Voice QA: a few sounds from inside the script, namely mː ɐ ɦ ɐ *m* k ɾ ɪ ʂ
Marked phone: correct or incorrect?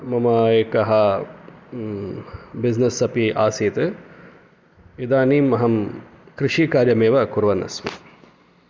correct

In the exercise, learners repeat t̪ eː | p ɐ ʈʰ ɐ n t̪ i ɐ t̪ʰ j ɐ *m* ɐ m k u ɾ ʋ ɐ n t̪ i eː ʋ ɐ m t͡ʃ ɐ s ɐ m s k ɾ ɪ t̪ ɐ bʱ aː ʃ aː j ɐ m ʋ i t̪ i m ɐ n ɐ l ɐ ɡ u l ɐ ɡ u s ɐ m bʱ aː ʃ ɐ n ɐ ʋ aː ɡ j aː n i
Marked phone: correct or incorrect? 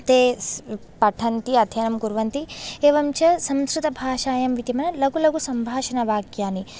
incorrect: n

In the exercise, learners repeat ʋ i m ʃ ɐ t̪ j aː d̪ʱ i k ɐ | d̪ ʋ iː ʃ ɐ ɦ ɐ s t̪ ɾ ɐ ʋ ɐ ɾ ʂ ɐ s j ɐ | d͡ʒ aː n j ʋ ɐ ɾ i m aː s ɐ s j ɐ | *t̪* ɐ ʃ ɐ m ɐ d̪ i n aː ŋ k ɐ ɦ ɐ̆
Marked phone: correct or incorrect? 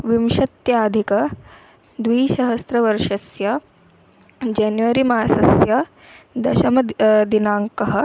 incorrect: d̪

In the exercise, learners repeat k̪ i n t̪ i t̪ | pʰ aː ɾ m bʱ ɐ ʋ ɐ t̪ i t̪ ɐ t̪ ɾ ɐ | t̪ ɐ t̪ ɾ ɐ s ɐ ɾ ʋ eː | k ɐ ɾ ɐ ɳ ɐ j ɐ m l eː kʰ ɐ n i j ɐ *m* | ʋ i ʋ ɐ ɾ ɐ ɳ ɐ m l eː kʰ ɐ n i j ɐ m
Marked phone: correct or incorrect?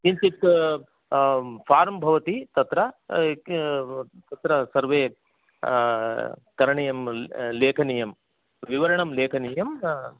correct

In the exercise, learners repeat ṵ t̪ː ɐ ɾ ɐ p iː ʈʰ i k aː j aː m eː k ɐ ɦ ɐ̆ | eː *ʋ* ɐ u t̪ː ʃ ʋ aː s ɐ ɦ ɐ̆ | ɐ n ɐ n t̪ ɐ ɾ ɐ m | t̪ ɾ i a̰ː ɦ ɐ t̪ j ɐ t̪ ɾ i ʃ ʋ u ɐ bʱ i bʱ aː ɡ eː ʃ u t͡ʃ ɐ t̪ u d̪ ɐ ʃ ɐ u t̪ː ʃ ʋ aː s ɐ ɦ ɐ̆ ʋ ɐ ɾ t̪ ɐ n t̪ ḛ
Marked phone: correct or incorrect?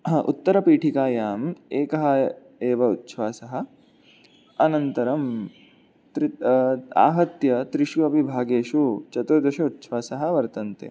correct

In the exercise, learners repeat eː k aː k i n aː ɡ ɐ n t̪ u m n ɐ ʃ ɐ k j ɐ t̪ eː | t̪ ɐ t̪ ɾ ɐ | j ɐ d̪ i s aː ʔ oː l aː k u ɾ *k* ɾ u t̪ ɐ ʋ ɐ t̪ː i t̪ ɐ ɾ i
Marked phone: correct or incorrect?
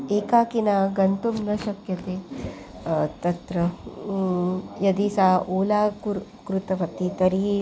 correct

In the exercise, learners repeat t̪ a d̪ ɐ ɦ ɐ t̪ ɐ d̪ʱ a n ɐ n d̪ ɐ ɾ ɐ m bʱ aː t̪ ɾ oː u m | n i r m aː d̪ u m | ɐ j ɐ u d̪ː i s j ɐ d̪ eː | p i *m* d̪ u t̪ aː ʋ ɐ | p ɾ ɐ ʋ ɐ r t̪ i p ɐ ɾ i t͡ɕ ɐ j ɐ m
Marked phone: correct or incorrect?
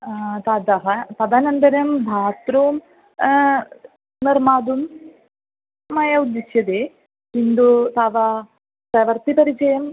incorrect: n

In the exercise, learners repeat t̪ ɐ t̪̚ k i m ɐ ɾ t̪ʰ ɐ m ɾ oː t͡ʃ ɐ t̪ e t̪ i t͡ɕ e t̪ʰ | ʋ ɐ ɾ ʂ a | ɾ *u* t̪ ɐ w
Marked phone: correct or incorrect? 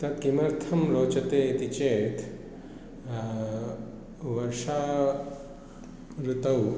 correct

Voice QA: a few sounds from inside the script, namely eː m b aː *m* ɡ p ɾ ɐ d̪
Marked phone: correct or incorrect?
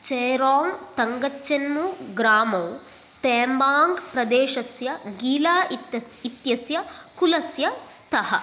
incorrect: ŋ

